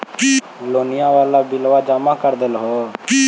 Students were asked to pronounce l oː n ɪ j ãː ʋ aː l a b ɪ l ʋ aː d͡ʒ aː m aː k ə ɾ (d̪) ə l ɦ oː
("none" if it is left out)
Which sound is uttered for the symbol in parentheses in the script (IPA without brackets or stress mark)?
d̪